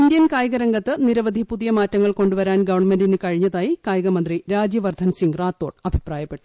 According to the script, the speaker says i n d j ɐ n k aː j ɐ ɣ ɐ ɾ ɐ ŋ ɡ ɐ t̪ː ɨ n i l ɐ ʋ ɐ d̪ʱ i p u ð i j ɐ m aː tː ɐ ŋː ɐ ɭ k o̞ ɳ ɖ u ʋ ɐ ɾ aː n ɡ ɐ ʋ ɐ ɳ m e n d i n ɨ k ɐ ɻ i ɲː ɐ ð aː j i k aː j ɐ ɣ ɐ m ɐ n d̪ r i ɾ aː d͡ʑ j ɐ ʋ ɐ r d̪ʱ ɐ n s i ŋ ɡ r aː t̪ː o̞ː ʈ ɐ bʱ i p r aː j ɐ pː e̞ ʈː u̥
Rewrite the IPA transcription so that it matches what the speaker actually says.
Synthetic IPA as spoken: i n d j ɐ n k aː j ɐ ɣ ɐ ɾ ɐ ŋ ɡ ɐ t̪ː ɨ n i ɾ ɐ ʋ ɐ d̪ʱ i p u ð i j ɐ m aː tː ɐ ŋː ɐ ɭ k o̞ ɳ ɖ u ʋ ɐ ɾ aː n ɡ ɐ ʋ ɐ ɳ m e n d i n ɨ k ɐ ɻ i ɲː ɐ ð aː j i k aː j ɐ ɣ ɐ m ɐ n d̪ r i ɾ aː d͡ʑ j ɐ ʋ ɐ r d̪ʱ ɐ n s i ŋ ɡ r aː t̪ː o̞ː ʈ ɐ bʱ i p r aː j ɐ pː e̞ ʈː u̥